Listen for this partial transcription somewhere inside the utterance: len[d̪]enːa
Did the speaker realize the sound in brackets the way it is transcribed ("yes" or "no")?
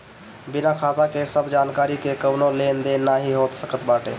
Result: yes